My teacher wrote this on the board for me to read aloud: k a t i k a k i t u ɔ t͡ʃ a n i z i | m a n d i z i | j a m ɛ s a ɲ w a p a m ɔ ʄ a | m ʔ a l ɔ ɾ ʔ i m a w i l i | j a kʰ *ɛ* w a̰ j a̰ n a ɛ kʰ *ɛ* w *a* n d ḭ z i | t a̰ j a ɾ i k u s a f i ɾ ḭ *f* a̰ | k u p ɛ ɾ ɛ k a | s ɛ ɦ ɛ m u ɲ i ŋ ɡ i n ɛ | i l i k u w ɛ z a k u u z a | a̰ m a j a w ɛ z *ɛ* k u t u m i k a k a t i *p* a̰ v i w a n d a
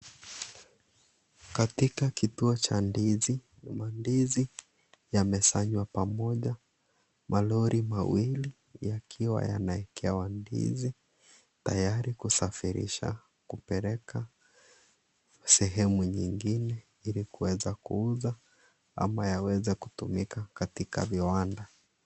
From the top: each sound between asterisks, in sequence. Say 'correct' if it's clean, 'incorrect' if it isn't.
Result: incorrect, correct, correct, incorrect, correct, incorrect

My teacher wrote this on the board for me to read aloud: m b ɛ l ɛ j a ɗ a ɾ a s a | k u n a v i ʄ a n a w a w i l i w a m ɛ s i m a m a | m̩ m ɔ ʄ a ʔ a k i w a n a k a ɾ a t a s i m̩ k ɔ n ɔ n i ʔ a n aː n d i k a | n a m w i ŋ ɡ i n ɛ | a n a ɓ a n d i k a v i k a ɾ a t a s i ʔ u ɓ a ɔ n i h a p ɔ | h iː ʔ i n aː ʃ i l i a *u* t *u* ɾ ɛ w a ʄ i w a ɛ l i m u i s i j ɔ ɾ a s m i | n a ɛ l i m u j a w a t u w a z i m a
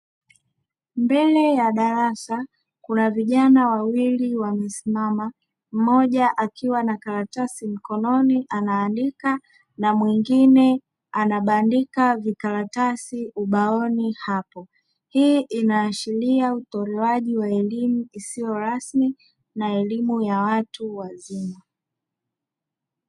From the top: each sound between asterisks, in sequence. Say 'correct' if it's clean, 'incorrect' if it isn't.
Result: correct, incorrect

